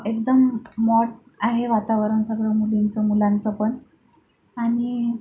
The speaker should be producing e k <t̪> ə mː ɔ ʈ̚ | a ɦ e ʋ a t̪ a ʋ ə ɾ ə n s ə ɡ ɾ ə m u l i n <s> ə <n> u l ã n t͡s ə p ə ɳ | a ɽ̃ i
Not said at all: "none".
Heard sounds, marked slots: d̪, t͡s, m

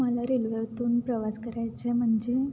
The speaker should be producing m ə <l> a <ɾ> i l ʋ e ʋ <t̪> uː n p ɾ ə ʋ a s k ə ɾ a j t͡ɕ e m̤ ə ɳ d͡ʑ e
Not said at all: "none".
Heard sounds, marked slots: l, ɾ, t̪

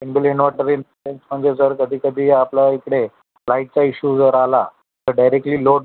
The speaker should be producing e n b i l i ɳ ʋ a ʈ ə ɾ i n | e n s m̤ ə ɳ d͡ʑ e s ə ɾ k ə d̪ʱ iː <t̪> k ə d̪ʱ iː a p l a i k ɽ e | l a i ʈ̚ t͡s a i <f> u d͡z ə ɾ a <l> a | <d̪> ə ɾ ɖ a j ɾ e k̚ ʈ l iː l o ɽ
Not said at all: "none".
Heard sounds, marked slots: none, ɕ, l, t̪

